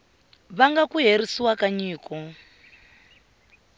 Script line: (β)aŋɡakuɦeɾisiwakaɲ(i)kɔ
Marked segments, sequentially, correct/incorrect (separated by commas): correct, incorrect